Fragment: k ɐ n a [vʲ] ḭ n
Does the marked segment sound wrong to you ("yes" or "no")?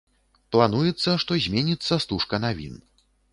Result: no